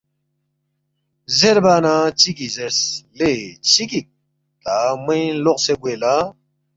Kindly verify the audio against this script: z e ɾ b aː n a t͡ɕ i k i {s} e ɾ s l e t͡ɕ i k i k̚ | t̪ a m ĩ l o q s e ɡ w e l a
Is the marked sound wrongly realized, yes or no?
yes